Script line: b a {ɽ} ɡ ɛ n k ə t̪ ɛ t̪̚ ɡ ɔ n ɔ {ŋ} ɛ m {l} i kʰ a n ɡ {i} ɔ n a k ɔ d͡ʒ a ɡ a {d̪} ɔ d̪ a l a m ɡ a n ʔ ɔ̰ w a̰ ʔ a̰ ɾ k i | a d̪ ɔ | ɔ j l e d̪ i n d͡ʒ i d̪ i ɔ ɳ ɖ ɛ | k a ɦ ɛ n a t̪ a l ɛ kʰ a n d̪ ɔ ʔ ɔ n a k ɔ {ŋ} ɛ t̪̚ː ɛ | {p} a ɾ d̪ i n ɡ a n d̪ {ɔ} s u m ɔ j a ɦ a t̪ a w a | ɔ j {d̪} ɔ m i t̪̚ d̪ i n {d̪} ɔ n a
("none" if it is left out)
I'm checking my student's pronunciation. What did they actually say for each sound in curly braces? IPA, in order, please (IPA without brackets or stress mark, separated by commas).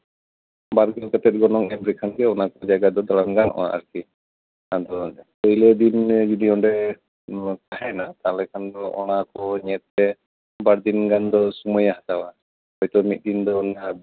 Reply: ɾ, ŋ, ɾ, ɛ, d̪, ɲ, b, ɔ, t̪, d̪